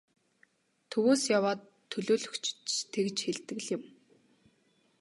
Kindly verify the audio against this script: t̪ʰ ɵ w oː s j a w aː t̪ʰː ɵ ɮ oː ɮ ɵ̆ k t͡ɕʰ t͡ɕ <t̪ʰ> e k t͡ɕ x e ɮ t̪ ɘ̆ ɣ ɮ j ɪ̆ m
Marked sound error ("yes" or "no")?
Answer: no